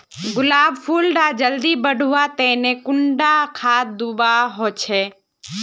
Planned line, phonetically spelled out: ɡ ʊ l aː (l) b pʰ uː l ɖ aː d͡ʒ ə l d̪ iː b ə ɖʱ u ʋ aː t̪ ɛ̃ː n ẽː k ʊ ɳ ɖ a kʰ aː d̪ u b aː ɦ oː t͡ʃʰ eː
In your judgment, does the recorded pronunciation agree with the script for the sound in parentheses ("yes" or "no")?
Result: no